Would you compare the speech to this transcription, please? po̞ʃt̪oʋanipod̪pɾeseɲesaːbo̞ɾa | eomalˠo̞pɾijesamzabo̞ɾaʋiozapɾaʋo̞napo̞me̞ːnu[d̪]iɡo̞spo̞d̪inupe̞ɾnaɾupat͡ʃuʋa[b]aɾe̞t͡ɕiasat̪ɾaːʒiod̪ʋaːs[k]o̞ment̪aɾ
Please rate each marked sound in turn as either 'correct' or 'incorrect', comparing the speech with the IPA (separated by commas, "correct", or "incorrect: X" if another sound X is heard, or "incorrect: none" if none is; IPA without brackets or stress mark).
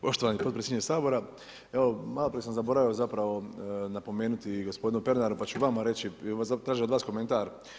incorrect: t̪, incorrect: m, correct